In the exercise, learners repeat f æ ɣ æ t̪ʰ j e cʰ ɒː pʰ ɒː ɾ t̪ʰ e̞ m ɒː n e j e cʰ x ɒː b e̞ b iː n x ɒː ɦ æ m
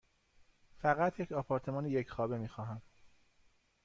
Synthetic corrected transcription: f æ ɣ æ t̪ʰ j e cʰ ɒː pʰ ɒː ɾ t̪ʰ e̞ m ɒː n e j e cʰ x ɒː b e̞ m iː x ɒː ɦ æ m